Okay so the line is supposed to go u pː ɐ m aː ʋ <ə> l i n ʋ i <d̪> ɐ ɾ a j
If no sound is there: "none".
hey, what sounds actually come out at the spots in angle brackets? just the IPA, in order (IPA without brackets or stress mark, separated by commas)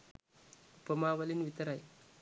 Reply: ɐ, t̪